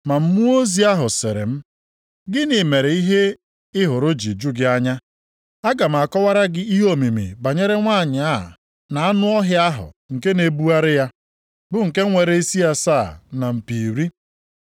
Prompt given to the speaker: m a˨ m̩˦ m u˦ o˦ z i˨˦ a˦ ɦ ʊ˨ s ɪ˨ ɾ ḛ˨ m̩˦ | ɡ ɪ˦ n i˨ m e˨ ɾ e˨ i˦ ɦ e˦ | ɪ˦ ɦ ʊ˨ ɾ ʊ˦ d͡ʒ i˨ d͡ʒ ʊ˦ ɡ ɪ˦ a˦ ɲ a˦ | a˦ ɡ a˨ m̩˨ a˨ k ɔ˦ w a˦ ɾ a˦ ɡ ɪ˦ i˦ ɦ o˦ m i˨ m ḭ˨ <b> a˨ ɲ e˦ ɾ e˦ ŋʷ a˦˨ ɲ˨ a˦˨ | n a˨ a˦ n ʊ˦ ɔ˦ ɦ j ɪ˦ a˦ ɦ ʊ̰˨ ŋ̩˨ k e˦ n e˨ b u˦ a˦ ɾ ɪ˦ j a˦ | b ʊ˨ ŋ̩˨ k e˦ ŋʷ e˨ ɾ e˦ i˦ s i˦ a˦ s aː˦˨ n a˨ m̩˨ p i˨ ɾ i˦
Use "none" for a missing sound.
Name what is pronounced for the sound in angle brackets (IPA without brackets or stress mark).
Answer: b